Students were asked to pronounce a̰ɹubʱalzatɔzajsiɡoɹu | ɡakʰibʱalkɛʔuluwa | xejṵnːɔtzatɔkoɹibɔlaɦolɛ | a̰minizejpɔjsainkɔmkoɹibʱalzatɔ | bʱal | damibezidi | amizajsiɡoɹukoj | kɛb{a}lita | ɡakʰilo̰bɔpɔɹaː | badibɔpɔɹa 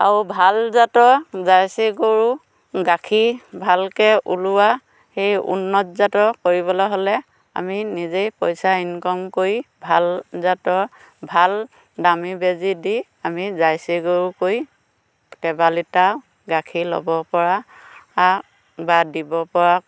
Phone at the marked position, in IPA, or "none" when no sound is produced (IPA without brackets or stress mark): a